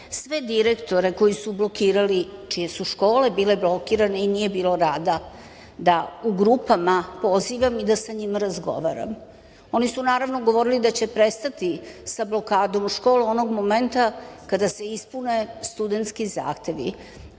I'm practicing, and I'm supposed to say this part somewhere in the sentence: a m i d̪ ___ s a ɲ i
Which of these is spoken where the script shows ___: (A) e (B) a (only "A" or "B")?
B